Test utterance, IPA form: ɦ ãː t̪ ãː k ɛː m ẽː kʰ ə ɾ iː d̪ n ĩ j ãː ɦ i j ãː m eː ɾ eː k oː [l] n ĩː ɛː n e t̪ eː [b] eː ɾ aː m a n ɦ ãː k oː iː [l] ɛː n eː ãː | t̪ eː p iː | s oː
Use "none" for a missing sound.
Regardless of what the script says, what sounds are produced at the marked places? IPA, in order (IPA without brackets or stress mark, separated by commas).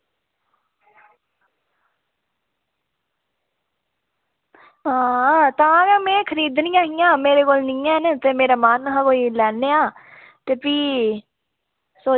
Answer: l, m, l